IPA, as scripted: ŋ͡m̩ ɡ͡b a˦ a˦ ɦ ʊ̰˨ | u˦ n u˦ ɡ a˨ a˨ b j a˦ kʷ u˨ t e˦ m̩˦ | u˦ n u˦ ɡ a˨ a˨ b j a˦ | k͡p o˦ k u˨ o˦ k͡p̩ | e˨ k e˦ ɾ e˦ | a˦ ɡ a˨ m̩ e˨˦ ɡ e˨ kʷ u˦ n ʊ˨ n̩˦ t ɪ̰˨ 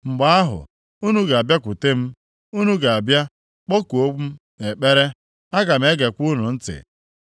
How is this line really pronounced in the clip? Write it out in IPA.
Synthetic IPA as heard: ŋ͡m̩ ɡ͡b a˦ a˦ ɦ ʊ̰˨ | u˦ n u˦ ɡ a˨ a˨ b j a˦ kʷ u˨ t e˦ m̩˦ | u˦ n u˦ ɡ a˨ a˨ b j a˦ | k͡p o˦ k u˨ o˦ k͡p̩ | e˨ k͡p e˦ ɾ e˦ | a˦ ɡ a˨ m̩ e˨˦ ɡ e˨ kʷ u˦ n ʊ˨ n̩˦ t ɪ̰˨